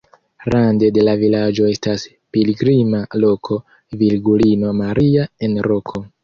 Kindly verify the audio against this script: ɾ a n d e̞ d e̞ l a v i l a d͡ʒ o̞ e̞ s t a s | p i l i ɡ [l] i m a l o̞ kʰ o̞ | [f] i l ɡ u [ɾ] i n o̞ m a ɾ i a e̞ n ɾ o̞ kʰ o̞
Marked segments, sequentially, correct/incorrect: incorrect: ɾ, incorrect: v, incorrect: l

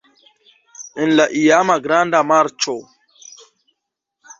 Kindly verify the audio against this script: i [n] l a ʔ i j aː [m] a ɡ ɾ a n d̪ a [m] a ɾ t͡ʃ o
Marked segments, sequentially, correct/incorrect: correct, correct, correct

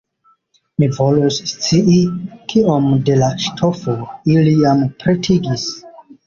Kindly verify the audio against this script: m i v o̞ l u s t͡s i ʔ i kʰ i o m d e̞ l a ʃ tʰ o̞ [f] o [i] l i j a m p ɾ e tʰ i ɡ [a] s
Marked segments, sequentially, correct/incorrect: correct, correct, incorrect: i

